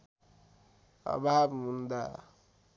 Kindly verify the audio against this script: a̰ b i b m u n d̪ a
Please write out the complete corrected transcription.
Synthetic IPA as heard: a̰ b a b m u n d̪ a